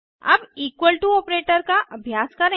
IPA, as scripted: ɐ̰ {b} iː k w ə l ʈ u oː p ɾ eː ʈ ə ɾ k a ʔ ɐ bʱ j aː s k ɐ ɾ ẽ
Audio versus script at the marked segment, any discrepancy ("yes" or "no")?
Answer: no